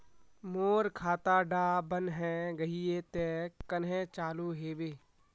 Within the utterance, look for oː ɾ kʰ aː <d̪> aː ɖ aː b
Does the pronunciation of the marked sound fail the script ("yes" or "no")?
yes